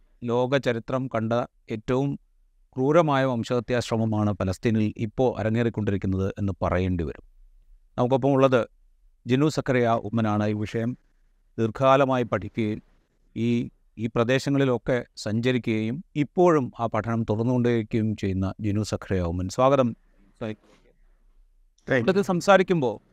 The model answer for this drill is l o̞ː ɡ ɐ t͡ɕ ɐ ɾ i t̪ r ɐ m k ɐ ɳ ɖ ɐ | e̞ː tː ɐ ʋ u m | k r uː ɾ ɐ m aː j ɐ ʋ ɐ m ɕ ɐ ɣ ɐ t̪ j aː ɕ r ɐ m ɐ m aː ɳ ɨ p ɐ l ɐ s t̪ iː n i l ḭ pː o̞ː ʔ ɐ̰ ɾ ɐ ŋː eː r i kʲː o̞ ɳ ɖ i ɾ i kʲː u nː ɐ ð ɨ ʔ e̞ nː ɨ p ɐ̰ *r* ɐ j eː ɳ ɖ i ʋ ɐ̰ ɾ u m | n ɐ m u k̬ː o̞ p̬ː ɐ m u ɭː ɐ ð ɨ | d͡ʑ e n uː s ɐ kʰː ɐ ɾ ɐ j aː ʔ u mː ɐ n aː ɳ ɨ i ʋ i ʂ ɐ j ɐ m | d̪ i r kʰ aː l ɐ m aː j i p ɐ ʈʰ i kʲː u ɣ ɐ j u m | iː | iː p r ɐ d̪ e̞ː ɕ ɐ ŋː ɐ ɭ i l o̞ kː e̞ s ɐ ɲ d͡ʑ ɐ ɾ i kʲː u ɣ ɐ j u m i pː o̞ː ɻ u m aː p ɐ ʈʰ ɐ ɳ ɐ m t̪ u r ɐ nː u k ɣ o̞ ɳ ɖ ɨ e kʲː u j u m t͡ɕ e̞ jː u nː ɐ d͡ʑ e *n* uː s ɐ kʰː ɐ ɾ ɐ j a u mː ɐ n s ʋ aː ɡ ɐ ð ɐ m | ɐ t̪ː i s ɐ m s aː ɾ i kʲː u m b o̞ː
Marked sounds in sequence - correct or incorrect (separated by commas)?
correct, correct